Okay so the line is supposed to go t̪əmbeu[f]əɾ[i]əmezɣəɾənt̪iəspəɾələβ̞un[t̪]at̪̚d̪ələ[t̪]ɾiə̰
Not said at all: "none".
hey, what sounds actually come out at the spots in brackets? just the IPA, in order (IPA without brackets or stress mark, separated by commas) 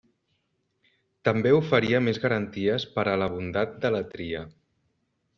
f, i, d̪, t̪